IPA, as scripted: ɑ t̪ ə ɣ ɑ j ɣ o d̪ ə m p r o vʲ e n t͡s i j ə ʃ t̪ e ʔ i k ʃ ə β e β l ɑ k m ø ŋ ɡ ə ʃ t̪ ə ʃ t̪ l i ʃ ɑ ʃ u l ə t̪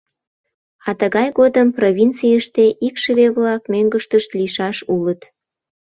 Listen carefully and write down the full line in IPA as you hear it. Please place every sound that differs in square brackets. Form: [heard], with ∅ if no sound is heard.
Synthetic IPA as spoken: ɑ t̪ ə ɣ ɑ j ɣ o d̪ ə m p r o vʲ [i] n t͡s i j ə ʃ t̪ e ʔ i k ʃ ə β e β l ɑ k m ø ŋ ɡ ə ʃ t̪ ə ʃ t̪ l i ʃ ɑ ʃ u l ə t̪